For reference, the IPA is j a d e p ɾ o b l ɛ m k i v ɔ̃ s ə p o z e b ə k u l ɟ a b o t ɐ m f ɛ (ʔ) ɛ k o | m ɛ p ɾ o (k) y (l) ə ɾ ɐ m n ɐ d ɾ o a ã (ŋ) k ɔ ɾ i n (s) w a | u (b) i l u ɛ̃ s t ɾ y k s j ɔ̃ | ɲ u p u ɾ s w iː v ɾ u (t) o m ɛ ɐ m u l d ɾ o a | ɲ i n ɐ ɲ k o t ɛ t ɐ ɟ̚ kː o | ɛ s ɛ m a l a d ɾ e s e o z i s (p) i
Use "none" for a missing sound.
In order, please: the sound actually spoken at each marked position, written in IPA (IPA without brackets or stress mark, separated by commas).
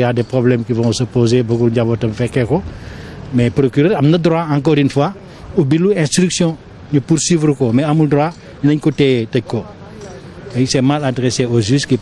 k, k, ɾ, ŋ, f, b, k, k